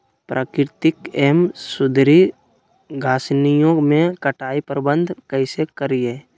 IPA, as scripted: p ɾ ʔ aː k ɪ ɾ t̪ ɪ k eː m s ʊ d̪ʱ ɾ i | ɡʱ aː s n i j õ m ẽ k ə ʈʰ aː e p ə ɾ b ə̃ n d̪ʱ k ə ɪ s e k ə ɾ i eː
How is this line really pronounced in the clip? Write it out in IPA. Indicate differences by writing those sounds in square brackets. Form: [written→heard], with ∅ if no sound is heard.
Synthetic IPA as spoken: p ɾ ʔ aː k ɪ ɾ t̪ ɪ k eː m s ʊ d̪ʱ ɾ i | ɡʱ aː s n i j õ m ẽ k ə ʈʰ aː [e→i] p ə ɾ b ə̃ n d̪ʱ k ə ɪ s e k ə ɾ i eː